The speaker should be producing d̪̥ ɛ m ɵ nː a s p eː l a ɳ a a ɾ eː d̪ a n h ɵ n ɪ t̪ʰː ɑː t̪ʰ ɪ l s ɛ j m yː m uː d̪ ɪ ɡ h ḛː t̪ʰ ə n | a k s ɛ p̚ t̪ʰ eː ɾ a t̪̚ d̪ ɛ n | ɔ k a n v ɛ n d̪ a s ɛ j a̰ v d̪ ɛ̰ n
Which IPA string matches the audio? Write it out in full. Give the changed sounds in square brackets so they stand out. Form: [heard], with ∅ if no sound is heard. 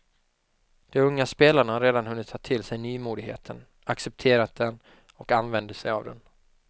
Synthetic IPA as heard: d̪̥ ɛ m ɵ [ŋː] a s p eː l a ɳ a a ɾ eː d̪ a n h ɵ [nː] ɪ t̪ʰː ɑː t̪ʰ ɪ l s ɛ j [n] yː m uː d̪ ɪ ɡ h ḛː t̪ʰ ə n | a k s ɛ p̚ t̪ʰ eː ɾ a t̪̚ d̪ ɛ n | ɔ k a n v ɛ n d̪ [ə] s ɛ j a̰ v d̪ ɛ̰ n